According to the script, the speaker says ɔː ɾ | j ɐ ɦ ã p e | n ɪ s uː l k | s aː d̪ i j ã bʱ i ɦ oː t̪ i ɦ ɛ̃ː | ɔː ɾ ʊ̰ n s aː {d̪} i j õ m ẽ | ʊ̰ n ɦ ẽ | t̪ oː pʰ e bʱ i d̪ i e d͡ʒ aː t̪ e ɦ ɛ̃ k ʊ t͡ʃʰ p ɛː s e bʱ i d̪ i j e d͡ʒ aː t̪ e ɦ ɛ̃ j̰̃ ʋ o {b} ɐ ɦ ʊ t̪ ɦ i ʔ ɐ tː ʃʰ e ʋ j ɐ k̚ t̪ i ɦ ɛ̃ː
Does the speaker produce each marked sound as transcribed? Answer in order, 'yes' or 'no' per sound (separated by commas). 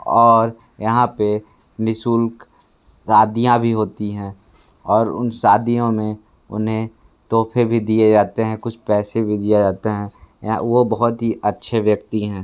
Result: yes, yes